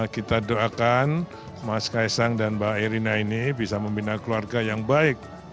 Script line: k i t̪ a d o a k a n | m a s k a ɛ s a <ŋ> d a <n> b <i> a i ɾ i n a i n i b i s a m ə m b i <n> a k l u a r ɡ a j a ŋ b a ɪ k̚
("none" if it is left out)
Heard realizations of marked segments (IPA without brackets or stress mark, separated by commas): ŋ, n, a, n